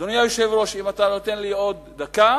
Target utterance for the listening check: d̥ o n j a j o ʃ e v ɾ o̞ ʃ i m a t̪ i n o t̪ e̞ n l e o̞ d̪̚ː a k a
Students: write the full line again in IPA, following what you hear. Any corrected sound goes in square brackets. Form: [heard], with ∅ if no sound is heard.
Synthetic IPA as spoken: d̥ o n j a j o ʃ e v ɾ o̞ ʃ i m a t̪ [a] n o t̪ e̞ n l [i] o̞ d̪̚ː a k a